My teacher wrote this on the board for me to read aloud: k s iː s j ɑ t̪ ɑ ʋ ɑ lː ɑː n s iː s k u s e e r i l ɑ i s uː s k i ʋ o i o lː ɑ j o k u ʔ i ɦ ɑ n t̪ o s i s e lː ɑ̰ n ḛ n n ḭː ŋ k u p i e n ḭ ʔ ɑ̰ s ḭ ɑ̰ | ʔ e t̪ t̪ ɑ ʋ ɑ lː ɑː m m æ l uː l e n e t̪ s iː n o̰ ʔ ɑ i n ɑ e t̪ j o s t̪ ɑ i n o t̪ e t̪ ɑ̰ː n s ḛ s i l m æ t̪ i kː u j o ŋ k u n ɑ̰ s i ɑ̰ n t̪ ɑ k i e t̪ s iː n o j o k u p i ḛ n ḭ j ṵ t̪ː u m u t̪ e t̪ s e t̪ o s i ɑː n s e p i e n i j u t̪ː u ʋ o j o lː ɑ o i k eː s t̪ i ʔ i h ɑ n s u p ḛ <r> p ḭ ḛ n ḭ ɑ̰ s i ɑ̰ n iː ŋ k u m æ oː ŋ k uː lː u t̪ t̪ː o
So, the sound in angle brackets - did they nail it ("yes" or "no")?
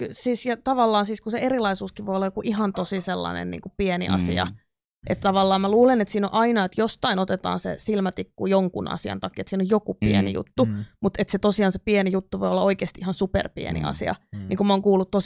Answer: yes